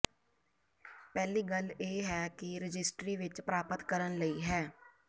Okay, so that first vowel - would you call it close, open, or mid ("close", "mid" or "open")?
mid